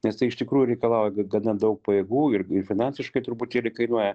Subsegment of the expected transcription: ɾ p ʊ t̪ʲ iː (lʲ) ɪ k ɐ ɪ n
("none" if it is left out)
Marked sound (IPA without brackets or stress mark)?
lʲ